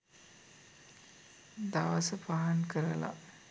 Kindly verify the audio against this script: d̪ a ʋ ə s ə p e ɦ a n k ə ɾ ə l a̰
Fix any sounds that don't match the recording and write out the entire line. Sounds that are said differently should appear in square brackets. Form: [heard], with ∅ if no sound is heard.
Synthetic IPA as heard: d̪ a ʋ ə s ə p [a] ɦ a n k ə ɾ ə l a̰